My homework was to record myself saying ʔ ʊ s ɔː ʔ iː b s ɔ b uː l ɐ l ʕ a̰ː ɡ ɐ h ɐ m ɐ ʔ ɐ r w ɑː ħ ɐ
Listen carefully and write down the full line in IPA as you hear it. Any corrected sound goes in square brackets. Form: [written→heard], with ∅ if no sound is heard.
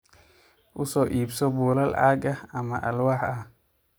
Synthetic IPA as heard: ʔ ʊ s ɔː ʔ iː b s ɔ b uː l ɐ l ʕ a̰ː ɡ ɐ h ɐ m ɐ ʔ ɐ [r→l] w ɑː ħ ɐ